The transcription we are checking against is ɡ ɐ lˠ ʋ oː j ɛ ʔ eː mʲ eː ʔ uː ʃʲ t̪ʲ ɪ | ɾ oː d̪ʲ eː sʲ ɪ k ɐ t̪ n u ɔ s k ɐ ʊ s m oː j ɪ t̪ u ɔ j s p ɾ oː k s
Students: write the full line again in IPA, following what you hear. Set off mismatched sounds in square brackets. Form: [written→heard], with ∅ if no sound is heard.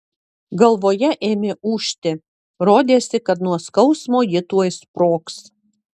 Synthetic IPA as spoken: ɡ ɐ lˠ ʋ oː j ɛ ʔ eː mʲ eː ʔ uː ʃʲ t̪ʲ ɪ | ɾ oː d̪ʲ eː sʲ ɪ k ɐ t̪ n u ɔ s k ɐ ʊ s m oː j ɪ t̪ u ɔ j s p ɾ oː k s

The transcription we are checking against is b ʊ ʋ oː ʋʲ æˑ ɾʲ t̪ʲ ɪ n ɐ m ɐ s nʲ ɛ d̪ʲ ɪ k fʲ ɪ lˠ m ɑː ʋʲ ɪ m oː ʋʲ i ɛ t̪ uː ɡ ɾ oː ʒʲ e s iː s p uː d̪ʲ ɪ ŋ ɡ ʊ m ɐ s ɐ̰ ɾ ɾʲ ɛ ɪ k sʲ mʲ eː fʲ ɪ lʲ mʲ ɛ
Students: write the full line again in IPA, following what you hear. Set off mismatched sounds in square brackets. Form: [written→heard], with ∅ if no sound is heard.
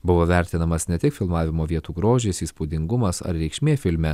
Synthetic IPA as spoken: b ʊ ʋ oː ʋʲ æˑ ɾʲ t̪ʲ ɪ n ɐ m ɐ s nʲ ɛ [d̪ʲ→t̪ʲ] ɪ k fʲ ɪ lˠ m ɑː ʋʲ ɪ m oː ʋʲ i ɛ t̪ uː ɡ ɾ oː ʒʲ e s iː s p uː d̪ʲ ɪ ŋ ɡ ʊ m ɐ s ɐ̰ ɾ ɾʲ ɛ ɪ k [sʲ→ʃʲ] mʲ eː fʲ ɪ lʲ mʲ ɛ

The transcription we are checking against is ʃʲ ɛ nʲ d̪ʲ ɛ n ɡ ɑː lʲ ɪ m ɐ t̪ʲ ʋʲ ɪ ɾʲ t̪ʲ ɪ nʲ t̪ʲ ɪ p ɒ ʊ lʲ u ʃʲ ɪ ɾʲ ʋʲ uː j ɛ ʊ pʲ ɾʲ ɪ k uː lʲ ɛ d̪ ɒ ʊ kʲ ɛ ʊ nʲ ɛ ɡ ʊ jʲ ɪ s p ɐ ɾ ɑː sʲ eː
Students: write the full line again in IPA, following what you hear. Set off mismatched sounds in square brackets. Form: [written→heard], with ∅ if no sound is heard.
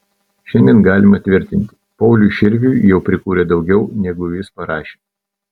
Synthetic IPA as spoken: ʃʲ ɛ nʲ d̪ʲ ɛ n ɡ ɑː lʲ ɪ m ɐ t̪ʲ ʋʲ ɪ ɾʲ t̪ʲ ɪ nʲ t̪ʲ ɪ p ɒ ʊ lʲ u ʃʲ ɪ ɾʲ ʋʲ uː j ɛ ʊ pʲ ɾʲ ɪ k uː [lʲ→ɾʲ] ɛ d̪ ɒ ʊ [kʲ→ɡʲ] ɛ ʊ nʲ ɛ ɡ ʊ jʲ ɪ s p ɐ ɾ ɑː [sʲ→ʃʲ] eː

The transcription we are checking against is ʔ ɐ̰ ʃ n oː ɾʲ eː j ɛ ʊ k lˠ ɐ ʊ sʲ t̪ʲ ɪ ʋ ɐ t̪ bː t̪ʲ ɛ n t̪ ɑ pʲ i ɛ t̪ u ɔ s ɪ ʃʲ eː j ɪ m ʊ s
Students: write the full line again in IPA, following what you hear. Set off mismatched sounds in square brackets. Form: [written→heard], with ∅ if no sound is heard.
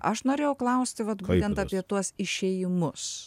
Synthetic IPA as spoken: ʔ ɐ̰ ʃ n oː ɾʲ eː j ɛ ʊ k lˠ ɐ ʊ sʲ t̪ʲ ɪ ʋ ɐ t̪ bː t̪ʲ ɛ n t̪ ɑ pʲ i ɛ t̪ u ɔ s ɪ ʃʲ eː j ɪ m ʊ s

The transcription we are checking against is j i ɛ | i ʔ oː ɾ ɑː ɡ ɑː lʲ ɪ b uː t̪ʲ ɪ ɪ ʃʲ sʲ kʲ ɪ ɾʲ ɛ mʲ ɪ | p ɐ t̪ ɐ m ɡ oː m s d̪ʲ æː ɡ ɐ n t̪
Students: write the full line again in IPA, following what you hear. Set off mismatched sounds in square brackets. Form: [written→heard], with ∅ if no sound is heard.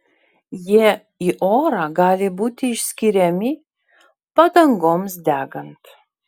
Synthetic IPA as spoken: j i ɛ | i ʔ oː ɾ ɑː ɡ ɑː lʲ ɪ b uː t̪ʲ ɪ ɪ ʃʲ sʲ kʲ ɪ ɾʲ ɛ mʲ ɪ | p ɐ [t̪→d̪] ɐ [m→ŋ] ɡ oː m s d̪ʲ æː ɡ ɐ n t̪

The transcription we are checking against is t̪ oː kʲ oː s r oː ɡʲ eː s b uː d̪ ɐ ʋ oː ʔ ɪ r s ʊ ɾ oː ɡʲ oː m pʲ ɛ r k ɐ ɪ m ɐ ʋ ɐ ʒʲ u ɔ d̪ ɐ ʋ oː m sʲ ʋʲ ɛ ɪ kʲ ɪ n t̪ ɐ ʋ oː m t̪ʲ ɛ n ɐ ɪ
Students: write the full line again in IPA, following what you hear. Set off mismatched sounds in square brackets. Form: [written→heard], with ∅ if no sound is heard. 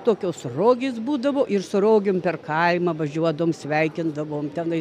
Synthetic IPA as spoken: t̪ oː kʲ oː s r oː ɡʲ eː s b uː d̪ ɐ ʋ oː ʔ ɪ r s ʊ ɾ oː ɡʲ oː m pʲ ɛ r k ɐ ɪ m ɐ ʋ ɐ ʒʲ u ɔ d̪ ɐ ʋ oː m sʲ ʋʲ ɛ ɪ kʲ ɪ n [t̪→d̪] ɐ ʋ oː m t̪ʲ ɛ n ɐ ɪ

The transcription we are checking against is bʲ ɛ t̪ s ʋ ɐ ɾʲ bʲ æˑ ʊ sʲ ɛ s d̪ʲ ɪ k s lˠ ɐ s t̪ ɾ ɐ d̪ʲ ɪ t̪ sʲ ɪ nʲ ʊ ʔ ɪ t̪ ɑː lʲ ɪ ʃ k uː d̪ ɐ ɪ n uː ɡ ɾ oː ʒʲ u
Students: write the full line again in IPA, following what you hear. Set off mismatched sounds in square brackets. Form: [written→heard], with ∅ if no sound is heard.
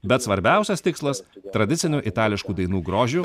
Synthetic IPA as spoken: bʲ ɛ t̪ s ʋ ɐ ɾʲ bʲ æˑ ʊ sʲ ɛ s [d̪ʲ→t̪ʲ] ɪ k s lˠ ɐ s t̪ ɾ ɐ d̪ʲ ɪ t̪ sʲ ɪ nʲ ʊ ʔ ɪ t̪ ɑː lʲ ɪ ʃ k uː d̪ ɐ ɪ n uː ɡ ɾ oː ʒʲ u

